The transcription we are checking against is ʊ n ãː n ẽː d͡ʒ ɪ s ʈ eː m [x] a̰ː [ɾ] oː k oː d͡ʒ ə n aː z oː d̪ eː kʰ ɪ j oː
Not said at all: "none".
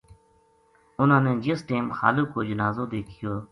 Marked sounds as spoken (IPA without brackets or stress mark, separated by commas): x, l